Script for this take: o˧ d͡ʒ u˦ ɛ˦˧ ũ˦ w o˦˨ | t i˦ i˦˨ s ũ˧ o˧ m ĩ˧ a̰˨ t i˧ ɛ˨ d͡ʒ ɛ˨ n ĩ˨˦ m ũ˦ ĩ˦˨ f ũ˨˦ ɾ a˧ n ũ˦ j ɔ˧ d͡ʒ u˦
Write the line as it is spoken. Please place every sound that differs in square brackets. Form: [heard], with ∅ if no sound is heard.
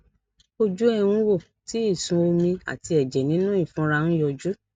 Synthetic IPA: o˧ d͡ʒ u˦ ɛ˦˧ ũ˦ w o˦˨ | t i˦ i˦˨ s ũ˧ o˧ m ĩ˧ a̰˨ t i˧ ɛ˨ d͡ʒ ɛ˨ n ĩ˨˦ [n] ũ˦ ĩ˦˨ f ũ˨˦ ɾ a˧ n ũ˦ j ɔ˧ d͡ʒ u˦